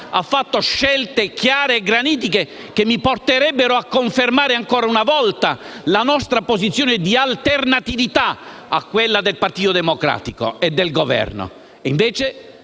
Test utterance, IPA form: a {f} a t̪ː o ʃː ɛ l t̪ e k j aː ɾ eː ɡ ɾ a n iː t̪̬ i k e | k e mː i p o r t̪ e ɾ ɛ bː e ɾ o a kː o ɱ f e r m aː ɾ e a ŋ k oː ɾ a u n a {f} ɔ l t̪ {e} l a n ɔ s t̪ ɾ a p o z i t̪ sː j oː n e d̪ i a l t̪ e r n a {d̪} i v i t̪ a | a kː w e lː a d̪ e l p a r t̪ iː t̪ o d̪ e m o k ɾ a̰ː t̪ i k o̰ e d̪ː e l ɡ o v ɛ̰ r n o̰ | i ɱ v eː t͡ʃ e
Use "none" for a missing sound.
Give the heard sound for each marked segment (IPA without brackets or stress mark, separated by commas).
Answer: fː, v, a, t̪